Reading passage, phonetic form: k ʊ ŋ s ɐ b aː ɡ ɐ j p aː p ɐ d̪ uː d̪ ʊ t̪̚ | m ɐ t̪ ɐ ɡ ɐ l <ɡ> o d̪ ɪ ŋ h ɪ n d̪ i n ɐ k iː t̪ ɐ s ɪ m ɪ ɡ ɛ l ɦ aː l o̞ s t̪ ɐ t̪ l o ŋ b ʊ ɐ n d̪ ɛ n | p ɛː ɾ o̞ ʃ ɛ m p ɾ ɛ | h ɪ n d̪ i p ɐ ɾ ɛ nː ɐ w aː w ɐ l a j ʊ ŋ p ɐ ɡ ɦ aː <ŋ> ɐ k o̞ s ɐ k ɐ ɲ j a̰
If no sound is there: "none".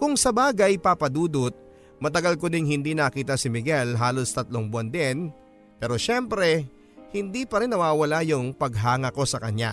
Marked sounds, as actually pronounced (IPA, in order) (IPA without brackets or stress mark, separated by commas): k, ŋ